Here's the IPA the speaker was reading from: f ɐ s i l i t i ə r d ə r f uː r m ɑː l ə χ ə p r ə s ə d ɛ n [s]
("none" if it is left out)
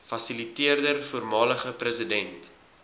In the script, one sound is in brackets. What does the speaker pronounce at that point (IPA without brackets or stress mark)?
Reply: t